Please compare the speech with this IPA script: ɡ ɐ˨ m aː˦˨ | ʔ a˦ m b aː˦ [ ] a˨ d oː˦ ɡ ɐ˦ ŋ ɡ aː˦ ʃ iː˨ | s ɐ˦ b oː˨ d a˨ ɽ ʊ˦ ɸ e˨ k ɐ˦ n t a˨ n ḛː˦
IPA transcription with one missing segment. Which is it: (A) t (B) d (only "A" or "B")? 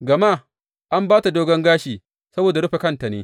A